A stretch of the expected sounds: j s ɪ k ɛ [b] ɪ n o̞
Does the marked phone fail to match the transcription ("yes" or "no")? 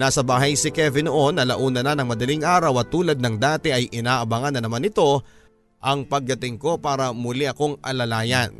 yes